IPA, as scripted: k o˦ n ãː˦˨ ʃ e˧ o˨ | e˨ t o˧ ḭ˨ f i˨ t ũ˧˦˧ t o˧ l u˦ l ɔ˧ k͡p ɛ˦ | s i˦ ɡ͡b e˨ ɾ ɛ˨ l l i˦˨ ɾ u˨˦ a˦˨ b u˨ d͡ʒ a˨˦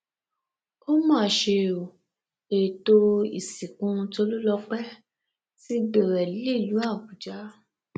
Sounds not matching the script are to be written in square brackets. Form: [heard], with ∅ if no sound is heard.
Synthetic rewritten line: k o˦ [m] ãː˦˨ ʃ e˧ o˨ | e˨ t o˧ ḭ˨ [s] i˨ [k] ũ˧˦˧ t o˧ l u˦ l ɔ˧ k͡p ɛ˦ | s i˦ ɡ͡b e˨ ɾ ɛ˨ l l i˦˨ [l] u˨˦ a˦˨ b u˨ d͡ʒ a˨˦